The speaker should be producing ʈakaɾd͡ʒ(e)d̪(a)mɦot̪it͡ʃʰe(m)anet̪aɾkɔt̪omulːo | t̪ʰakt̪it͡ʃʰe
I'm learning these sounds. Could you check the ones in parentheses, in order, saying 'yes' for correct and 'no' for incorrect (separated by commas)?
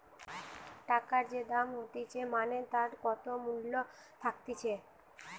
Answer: yes, yes, yes